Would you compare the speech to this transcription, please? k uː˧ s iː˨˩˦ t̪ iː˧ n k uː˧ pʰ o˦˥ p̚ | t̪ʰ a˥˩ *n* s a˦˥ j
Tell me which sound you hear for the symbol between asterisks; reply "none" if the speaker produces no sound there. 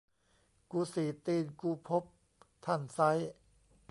n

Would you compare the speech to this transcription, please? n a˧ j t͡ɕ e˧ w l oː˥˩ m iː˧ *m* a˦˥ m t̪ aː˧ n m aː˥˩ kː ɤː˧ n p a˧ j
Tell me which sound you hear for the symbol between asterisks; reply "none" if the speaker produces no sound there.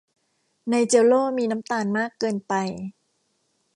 n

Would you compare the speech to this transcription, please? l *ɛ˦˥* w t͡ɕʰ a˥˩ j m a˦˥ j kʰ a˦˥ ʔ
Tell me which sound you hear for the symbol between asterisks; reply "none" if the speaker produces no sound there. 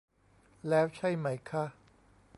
ɛː˦˥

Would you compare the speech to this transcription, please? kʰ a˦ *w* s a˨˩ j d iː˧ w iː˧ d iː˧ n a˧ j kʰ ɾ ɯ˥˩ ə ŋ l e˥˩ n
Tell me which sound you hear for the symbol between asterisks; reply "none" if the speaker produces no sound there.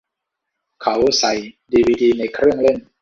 w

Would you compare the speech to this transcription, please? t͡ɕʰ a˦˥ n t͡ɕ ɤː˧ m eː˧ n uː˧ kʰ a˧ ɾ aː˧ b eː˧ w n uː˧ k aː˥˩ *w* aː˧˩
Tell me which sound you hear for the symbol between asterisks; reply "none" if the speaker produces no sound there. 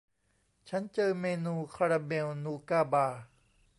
b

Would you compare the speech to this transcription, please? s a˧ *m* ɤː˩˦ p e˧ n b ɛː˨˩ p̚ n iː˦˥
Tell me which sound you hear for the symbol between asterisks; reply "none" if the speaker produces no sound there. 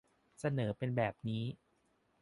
n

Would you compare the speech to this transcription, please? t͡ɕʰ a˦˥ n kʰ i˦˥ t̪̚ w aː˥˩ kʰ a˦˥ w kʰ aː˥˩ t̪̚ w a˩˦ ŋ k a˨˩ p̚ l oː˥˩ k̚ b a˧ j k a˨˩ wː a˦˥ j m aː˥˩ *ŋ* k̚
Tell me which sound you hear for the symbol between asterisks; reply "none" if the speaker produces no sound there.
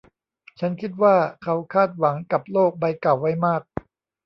none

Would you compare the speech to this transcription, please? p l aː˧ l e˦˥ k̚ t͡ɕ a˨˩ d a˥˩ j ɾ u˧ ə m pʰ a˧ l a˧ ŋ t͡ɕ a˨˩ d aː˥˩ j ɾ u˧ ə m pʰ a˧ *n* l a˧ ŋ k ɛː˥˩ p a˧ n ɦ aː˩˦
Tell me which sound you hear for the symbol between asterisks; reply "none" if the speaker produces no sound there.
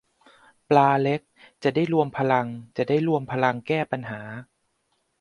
none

